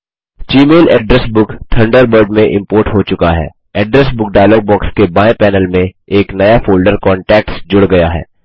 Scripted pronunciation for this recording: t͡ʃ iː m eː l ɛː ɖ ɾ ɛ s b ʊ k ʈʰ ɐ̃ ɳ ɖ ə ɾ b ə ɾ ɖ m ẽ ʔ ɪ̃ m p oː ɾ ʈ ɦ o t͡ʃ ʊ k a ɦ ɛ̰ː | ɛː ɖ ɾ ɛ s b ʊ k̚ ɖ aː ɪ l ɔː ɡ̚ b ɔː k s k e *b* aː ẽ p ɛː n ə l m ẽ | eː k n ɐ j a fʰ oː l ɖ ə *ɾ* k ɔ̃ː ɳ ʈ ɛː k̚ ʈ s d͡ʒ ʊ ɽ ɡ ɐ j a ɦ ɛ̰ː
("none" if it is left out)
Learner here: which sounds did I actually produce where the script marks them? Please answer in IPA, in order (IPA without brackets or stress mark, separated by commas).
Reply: b, ɾ